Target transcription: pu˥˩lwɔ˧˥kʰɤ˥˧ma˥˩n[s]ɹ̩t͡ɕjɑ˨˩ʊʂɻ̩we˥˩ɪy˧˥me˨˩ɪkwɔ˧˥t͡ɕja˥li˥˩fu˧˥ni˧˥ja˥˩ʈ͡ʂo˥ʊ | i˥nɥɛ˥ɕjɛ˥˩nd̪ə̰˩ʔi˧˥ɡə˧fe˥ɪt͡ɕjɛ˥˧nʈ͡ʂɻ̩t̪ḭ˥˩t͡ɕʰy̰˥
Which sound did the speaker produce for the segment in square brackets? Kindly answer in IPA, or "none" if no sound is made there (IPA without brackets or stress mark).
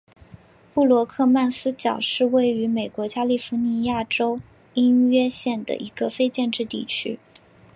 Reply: s